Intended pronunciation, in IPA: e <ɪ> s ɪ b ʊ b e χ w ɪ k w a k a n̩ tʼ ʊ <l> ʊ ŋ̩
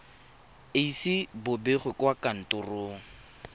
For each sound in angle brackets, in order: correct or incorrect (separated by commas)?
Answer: incorrect, incorrect